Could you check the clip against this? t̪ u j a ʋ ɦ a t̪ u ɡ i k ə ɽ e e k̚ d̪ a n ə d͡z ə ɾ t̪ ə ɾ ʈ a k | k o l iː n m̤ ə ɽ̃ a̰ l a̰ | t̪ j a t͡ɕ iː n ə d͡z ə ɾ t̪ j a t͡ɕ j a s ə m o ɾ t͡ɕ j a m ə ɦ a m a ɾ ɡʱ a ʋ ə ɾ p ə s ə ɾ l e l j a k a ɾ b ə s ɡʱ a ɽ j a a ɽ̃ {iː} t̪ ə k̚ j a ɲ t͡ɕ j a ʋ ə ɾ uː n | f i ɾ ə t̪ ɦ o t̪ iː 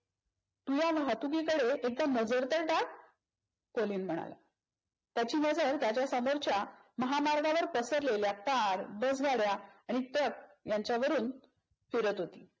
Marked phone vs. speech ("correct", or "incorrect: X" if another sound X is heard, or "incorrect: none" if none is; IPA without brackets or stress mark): incorrect: i